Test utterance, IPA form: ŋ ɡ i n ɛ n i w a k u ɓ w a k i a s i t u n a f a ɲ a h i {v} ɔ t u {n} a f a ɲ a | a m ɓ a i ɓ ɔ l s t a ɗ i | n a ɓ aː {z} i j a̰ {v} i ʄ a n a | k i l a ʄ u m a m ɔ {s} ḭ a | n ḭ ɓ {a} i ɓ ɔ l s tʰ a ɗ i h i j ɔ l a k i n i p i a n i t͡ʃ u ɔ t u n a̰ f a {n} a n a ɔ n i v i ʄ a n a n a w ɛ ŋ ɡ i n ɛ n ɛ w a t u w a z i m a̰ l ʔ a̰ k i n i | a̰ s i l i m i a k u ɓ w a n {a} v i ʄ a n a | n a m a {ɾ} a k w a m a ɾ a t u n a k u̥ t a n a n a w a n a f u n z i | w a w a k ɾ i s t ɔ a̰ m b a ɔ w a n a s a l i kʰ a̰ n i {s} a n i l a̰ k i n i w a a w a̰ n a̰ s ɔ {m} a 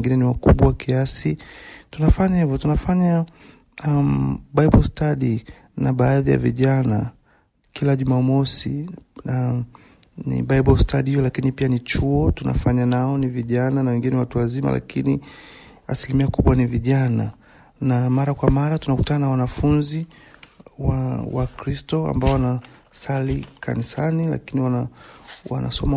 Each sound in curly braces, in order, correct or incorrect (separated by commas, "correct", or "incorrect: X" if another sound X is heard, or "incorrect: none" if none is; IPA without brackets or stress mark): correct, correct, incorrect: ð, correct, correct, correct, incorrect: ɲ, incorrect: i, correct, correct, correct